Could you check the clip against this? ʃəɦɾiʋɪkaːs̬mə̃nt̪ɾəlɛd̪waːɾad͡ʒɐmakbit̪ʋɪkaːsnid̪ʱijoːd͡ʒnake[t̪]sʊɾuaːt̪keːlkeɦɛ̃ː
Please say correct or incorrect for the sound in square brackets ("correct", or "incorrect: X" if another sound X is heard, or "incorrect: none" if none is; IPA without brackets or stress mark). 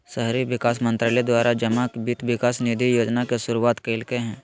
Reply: incorrect: none